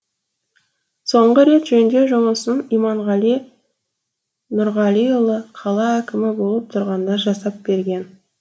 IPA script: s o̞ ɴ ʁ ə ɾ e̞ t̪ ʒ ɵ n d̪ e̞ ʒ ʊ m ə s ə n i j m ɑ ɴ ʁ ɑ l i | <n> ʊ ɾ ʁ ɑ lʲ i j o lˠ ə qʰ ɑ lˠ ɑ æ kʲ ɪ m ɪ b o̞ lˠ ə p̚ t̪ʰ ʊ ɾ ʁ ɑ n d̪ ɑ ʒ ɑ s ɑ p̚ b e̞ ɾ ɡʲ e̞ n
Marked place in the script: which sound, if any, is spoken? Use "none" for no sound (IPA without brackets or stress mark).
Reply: n